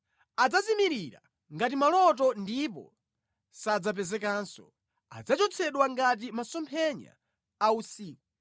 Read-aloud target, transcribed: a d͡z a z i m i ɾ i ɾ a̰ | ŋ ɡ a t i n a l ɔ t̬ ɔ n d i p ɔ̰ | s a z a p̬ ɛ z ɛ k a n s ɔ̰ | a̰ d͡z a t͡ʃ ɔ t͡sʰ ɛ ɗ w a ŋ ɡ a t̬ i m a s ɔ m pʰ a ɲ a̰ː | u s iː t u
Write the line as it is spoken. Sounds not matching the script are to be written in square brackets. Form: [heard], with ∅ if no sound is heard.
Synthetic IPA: a d͡z a z i m i ɾ i ɾ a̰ | ŋ ɡ a t i [m] a l ɔ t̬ ɔ n d i p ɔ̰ | s a [d͡z] a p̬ ɛ z ɛ k a n s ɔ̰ | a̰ d͡z a t͡ʃ ɔ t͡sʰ ɛ ɗ w a ŋ ɡ a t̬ i m a s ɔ m pʰ [ɛ] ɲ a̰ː | u s iː [k] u